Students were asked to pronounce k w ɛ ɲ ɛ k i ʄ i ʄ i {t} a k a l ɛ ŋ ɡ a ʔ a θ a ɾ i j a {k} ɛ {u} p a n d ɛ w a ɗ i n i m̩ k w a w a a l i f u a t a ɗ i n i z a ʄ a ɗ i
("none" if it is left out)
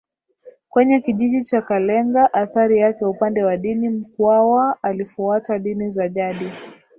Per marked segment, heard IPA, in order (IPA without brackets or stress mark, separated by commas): t͡ʃ, k, u